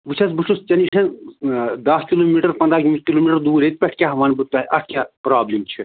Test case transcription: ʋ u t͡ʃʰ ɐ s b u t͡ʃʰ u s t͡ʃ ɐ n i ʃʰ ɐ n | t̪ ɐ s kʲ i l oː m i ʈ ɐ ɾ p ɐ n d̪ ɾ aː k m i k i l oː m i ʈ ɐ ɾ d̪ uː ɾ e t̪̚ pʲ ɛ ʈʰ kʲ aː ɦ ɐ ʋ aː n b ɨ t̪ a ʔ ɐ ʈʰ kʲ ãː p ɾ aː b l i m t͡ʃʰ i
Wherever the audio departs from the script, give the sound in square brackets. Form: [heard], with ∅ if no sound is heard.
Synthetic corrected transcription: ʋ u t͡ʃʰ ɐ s b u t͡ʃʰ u s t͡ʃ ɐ n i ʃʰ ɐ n | [d̪] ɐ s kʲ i l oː m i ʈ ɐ ɾ p ɐ n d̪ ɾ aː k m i k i l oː m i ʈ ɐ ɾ d̪ uː ɾ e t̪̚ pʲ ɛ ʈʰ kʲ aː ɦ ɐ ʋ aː n b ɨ t̪ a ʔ ɐ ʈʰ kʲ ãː p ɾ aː b l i m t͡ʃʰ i